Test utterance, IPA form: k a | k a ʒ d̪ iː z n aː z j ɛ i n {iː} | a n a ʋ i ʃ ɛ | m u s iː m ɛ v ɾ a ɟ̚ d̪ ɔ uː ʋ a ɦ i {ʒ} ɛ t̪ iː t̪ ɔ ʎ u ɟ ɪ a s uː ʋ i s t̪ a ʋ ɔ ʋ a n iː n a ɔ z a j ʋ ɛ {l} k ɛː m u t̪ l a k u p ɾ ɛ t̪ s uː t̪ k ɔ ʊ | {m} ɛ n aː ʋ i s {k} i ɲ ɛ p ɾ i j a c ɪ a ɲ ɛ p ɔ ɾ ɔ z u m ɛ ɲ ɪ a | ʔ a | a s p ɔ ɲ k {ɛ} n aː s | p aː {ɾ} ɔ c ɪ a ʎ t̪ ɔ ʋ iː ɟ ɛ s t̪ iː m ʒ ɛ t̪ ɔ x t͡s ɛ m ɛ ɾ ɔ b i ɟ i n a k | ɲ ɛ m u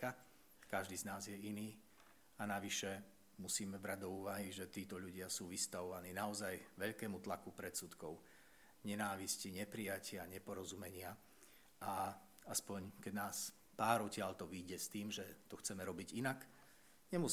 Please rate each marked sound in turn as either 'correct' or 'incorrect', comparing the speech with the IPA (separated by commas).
correct, correct, incorrect, incorrect, incorrect, correct, correct